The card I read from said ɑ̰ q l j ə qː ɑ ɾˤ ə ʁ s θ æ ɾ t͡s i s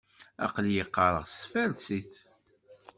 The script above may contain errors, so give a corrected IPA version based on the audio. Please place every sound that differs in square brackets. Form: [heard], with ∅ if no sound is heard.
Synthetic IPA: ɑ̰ q l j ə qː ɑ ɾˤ ə ʁ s [f] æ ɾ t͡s i [θ]